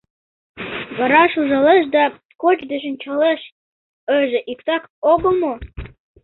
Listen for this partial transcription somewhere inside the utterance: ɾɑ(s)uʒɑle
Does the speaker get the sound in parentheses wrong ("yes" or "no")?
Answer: yes